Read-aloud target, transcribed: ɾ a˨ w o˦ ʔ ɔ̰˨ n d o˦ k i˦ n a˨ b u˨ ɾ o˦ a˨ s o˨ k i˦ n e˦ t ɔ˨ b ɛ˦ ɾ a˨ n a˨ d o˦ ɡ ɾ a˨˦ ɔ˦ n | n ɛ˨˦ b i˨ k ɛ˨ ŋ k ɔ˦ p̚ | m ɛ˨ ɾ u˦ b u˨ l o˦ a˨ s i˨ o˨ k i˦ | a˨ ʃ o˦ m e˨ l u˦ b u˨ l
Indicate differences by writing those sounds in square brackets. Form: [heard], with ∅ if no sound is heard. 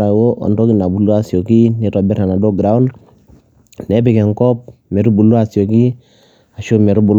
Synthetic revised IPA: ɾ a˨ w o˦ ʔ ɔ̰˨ n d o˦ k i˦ n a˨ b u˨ [l] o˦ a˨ s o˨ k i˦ n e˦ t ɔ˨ b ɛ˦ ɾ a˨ n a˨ d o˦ ɡ ɾ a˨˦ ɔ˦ n | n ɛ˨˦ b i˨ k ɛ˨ ŋ k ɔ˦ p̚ | m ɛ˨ ɾ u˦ b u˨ l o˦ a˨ s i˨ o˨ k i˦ | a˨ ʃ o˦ m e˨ [ɾ] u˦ b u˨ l